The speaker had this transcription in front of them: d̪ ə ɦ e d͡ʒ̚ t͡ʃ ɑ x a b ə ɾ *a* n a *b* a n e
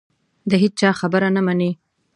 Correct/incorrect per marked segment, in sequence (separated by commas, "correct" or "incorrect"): correct, incorrect